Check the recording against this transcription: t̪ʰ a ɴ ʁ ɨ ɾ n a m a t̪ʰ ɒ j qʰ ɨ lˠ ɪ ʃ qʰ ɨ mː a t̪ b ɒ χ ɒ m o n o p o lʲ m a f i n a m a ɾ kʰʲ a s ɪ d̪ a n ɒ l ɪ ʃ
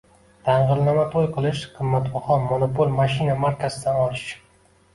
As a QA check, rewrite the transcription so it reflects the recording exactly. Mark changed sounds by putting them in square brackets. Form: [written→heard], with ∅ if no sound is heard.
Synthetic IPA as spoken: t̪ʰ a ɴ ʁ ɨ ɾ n a m a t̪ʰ [ɒ→o] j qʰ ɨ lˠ ɪ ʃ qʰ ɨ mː a t̪ b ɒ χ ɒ m o n o p o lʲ m a [f→ʃ] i n a m a ɾ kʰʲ a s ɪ d̪ a n ɒ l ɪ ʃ

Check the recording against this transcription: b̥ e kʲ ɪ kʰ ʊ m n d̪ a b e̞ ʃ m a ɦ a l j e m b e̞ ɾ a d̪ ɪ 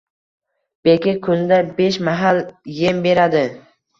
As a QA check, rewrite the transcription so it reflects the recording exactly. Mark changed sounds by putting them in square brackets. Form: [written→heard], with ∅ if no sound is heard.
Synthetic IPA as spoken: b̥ e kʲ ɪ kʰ ʊ [m→∅] n d̪ a b e̞ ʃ m a ɦ a l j e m b e̞ ɾ a d̪ ɪ

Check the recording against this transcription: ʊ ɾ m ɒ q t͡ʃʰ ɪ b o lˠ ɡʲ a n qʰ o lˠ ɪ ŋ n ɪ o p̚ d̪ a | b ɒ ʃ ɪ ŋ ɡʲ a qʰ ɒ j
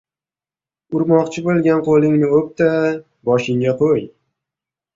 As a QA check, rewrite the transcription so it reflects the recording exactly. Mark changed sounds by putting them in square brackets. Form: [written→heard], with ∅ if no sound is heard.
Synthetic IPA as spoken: ʊ ɾ m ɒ q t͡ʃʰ ɪ b o lˠ ɡʲ a n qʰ o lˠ ɪ ŋ n ɪ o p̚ [d̪→t̪] a | b ɒ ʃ ɪ ŋ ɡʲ a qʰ [ɒ→o] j

